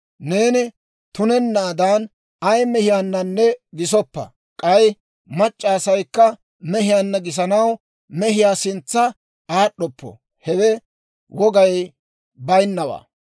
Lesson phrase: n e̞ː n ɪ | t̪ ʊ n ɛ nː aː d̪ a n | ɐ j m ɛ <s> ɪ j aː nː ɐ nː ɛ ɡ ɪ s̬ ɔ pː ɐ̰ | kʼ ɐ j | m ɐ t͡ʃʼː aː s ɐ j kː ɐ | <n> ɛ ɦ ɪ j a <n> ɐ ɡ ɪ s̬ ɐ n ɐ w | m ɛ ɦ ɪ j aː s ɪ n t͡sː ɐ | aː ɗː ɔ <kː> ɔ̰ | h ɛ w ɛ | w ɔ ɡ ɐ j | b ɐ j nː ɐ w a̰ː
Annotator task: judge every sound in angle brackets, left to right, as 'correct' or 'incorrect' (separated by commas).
incorrect, incorrect, incorrect, incorrect